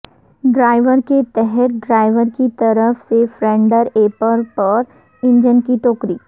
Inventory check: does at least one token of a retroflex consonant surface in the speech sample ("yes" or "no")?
yes